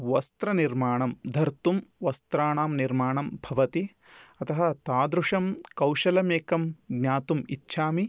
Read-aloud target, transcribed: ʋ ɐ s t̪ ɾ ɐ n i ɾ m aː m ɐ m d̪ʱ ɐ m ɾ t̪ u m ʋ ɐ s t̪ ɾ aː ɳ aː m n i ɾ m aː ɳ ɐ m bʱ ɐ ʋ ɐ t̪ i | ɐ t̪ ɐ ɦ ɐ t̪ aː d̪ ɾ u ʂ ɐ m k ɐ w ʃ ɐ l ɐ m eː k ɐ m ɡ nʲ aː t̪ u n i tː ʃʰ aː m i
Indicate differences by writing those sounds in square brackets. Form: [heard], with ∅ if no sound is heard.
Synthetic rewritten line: ʋ ɐ s t̪ ɾ ɐ n i ɾ m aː [ɳ] ɐ m d̪ʱ ɐ [∅] ɾ t̪ u m ʋ ɐ s t̪ ɾ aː ɳ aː m n i ɾ m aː ɳ ɐ m bʱ ɐ ʋ ɐ t̪ i | ɐ t̪ ɐ ɦ ɐ t̪ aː d̪ ɾ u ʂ ɐ m k ɐ w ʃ ɐ l ɐ m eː k ɐ m ɡ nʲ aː t̪ u [m] i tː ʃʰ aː m i